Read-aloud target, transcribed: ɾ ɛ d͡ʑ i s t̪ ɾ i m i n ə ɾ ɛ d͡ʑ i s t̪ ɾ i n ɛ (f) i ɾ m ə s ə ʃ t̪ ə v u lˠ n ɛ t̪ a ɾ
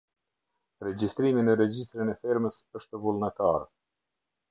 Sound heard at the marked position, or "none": f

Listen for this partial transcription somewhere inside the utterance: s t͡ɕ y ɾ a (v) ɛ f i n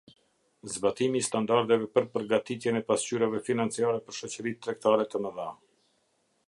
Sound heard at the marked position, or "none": v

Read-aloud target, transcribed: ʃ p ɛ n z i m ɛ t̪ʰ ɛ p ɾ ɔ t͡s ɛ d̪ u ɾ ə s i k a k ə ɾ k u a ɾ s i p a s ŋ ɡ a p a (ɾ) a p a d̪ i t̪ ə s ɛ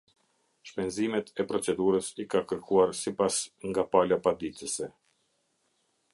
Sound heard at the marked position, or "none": l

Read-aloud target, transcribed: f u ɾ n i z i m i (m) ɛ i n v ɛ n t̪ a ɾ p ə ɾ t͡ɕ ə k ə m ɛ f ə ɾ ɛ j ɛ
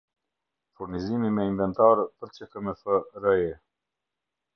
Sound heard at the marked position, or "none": m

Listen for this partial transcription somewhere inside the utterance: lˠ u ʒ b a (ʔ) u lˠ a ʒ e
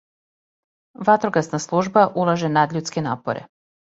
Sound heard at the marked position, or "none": ʔ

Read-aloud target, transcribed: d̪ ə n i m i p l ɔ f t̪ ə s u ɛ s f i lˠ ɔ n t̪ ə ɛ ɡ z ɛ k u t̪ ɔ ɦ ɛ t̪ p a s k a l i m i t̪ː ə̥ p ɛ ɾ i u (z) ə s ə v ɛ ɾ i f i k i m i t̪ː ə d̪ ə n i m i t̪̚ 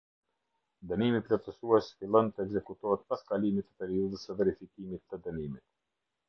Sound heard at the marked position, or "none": ð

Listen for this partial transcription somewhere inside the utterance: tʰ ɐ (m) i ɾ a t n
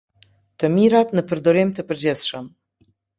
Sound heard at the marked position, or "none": m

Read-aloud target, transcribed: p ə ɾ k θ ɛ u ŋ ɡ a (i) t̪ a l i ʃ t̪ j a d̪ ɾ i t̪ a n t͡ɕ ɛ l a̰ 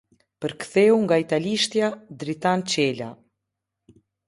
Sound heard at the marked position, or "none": i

